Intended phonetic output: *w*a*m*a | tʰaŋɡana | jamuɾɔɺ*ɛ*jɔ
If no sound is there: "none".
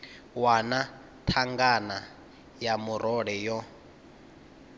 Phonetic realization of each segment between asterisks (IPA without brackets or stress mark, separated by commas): w, n, ɛ